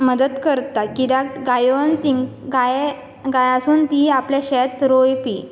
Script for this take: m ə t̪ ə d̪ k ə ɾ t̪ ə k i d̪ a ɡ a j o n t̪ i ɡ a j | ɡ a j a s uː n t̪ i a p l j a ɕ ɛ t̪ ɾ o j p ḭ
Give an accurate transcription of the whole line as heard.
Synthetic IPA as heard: m ə d̪ ə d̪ k ə ɾ t̪ a k i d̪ a ɡ a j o n t̪ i ɡ a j | ɡ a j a s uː n t̪ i a p l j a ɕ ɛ t̪ ɾ o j p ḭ